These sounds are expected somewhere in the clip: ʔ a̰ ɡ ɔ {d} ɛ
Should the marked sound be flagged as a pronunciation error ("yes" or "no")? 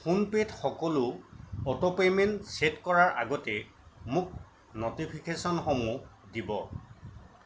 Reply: yes